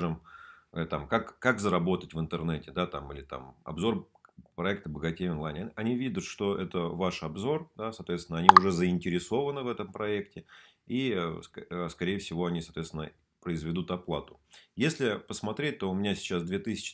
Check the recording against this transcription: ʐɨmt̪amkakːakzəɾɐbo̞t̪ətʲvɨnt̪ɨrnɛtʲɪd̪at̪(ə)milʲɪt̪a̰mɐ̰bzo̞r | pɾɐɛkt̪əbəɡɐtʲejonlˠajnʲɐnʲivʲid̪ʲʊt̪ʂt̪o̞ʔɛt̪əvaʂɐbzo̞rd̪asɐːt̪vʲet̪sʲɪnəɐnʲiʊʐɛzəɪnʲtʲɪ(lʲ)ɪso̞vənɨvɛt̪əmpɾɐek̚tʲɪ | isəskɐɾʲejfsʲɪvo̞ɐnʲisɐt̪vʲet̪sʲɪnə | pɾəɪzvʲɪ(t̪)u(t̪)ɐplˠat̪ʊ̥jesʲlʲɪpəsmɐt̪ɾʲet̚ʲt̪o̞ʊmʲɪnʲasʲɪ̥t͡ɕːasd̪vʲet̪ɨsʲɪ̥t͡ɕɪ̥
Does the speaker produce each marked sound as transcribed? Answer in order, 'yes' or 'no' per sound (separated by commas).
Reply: no, no, no, yes